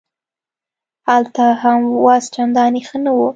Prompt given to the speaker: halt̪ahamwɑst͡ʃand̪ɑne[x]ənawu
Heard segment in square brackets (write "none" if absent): x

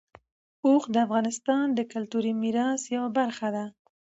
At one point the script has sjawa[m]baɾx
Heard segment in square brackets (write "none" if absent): none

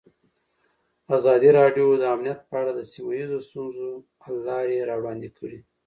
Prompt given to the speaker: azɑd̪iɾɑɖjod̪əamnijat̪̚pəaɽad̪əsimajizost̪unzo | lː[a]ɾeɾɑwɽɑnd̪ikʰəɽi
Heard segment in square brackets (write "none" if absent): ɑ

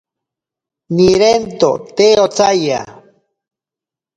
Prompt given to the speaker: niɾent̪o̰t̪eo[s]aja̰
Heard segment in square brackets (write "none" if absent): t͡s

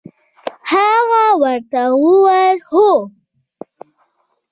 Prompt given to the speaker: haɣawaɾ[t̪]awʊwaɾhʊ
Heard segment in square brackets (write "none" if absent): t̪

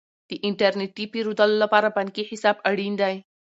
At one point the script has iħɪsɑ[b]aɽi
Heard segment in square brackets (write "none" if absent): b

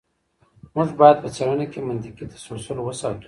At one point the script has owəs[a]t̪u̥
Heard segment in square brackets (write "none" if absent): ɑ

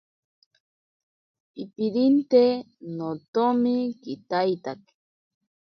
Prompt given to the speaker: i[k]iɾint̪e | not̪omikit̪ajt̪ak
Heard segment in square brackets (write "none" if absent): p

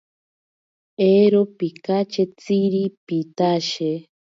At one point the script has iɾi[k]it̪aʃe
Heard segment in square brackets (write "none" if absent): p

